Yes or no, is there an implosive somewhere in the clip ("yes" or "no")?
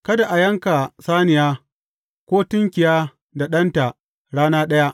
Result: yes